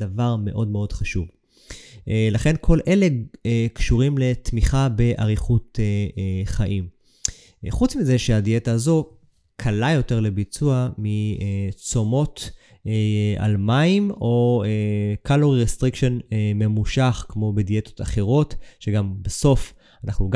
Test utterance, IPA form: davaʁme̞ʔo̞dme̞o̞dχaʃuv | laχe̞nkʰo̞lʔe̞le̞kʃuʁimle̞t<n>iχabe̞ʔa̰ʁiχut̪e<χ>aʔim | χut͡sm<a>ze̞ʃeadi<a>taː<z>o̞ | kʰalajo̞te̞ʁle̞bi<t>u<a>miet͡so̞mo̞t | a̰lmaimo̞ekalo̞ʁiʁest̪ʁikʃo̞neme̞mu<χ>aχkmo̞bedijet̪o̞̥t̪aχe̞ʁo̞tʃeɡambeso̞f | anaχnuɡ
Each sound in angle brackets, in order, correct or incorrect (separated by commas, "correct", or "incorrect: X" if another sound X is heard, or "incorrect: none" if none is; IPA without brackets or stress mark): incorrect: m, correct, incorrect: i, incorrect: e, correct, incorrect: t͡s, correct, incorrect: ʃ